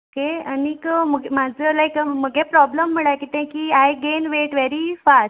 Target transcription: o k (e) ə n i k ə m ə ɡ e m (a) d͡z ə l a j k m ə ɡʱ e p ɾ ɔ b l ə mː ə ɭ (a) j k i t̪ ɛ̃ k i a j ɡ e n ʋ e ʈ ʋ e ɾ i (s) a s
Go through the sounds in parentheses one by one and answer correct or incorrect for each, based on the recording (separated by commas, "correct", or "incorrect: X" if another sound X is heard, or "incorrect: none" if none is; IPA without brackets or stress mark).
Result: correct, correct, correct, incorrect: f